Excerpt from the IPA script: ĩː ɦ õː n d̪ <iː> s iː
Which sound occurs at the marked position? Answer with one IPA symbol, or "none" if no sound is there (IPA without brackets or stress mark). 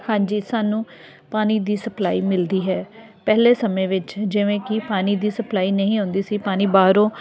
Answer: iː